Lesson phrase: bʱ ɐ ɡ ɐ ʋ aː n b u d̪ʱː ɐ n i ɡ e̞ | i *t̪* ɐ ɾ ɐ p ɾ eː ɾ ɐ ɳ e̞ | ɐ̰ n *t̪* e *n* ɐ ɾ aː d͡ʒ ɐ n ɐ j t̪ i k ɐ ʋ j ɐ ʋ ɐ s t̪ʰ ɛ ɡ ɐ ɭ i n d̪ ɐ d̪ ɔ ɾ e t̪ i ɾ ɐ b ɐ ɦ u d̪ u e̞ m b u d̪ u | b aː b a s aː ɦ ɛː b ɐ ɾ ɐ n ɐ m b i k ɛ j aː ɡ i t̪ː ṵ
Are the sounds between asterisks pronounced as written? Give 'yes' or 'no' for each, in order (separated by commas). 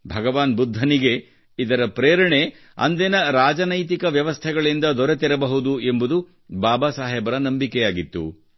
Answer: no, no, yes